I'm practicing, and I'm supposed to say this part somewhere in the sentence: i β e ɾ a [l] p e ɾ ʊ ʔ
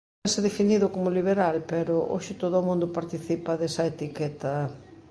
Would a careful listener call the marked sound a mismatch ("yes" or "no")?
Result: no